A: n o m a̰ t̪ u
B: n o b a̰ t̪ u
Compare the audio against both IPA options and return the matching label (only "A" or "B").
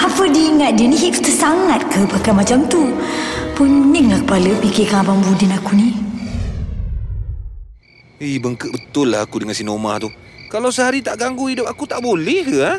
A